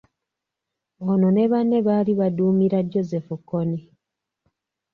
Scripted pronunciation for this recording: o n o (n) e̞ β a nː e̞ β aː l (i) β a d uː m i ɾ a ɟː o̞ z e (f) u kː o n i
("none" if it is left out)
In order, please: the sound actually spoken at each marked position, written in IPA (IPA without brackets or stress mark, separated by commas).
n, i, f